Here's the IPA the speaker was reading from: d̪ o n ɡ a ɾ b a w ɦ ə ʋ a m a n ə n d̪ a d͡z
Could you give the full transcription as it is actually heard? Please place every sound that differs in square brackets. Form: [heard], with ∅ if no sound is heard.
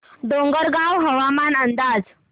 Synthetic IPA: d̪ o [ŋ] ɡ [ə] ɾ [ɡ] a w ɦ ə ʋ a m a n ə n d̪ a d͡z